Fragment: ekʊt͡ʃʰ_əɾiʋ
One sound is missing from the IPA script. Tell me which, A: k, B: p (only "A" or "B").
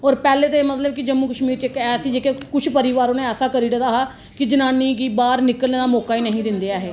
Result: B